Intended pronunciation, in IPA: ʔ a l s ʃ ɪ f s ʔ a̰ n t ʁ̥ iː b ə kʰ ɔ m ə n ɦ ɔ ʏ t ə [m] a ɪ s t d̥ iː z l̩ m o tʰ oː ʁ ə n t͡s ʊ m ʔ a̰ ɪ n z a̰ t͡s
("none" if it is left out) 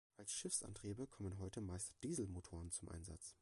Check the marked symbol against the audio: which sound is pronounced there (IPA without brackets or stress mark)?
m